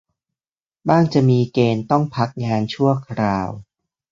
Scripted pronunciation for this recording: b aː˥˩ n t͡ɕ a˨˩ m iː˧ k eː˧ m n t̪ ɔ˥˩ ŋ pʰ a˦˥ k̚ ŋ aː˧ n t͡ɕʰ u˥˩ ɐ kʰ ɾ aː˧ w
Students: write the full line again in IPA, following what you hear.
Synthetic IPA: b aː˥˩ ŋ t͡ɕ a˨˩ m iː˧ k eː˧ n t̪ ɔ˥˩ ŋ pʰ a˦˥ k̚ ŋ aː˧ n t͡ɕʰ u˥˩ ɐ kʰ ɾ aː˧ w